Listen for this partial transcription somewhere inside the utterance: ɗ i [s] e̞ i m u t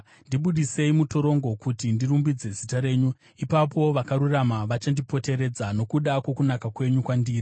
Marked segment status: correct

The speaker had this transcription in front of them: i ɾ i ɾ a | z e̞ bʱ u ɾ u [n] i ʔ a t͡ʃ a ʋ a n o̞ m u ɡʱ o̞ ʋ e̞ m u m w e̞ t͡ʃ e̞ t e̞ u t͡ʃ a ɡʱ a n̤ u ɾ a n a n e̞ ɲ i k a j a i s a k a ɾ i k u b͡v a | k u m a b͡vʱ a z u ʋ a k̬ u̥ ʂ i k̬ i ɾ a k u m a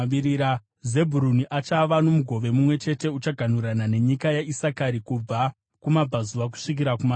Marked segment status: correct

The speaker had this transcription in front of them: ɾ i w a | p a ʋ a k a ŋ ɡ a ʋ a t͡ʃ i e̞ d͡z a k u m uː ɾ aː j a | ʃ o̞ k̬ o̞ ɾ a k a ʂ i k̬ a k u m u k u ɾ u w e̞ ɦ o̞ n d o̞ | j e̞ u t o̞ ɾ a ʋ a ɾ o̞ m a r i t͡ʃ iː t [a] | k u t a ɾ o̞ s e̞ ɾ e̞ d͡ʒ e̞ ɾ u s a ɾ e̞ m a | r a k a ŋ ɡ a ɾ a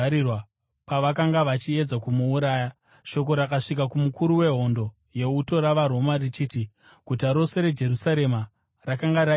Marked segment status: incorrect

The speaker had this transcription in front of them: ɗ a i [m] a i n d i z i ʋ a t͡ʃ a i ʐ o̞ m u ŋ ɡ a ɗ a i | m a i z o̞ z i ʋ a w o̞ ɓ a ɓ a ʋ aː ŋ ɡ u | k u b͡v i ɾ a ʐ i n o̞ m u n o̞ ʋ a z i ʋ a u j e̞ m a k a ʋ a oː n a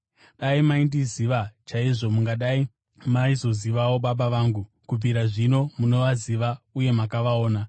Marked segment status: correct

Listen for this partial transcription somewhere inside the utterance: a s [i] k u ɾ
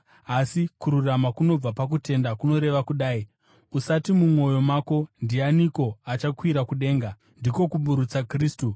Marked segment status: correct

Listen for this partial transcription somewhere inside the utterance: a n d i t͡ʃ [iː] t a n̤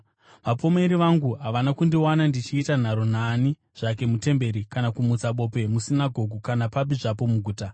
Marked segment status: correct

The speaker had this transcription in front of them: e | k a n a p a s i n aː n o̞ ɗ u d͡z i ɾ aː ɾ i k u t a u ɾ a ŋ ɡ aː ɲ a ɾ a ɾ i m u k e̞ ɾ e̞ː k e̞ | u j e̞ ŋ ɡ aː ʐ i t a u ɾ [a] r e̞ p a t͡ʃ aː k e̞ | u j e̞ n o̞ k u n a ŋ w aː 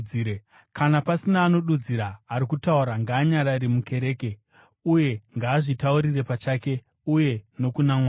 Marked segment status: incorrect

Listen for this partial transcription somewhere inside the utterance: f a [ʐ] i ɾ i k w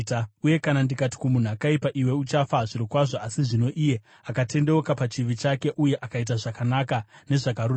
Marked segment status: correct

